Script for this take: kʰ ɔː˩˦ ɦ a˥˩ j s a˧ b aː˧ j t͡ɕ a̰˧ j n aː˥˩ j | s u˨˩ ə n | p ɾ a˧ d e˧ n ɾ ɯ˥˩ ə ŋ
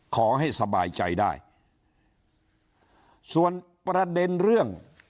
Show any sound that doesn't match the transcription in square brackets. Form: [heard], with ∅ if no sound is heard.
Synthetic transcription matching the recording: kʰ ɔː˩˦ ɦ a˥˩ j s a˧ b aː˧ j t͡ɕ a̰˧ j [d] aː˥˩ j | s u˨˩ ə n | p ɾ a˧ d e˧ n ɾ ɯ˥˩ ə ŋ

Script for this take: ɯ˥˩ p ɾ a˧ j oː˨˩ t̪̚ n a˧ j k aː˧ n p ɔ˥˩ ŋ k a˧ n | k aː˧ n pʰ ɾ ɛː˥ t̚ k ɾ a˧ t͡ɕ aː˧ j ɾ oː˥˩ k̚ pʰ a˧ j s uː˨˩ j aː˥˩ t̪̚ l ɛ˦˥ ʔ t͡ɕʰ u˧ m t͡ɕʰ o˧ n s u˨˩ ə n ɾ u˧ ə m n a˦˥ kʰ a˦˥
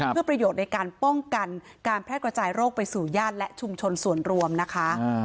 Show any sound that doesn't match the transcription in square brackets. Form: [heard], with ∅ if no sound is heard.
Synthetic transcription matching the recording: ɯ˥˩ p ɾ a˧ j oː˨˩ t̪̚ n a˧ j k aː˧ n p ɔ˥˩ ŋ k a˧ n | k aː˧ n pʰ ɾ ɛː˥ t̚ k ɾ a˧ t͡ɕ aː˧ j ɾ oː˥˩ k̚ [p] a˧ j s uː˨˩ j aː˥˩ t̪̚ l ɛ˦˥ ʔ t͡ɕʰ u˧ m t͡ɕʰ o˧ n s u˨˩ ə n ɾ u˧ ə m n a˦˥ kʰ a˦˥

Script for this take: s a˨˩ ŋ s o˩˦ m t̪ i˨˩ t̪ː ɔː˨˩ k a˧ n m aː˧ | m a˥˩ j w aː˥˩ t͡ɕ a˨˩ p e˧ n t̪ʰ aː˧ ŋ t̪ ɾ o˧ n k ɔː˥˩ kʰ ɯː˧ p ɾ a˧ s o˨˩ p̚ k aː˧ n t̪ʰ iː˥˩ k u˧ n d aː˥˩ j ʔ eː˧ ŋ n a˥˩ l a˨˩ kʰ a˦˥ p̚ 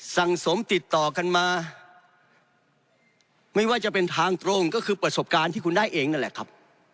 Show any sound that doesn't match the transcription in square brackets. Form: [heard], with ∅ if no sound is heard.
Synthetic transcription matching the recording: s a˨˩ ŋ s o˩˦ m t̪ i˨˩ t̪ː ɔː˨˩ k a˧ n m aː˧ | m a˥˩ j w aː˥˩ t͡ɕ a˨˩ p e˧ n t̪ʰ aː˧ ŋ t̪ ɾ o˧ [ŋ] k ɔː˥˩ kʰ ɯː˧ p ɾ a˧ s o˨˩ p̚ k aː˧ n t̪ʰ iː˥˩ k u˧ n d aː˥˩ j ʔ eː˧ ŋ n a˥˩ l [ɛ˨˩] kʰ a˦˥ p̚

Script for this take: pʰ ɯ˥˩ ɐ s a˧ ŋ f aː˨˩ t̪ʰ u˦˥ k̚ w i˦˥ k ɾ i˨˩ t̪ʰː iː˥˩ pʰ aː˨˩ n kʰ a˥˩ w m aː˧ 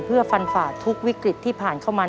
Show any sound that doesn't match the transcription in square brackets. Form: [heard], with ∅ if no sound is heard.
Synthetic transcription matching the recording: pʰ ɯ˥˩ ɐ [f] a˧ [n] f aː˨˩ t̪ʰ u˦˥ k̚ w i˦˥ k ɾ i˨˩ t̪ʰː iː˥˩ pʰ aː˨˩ n kʰ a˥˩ w m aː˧

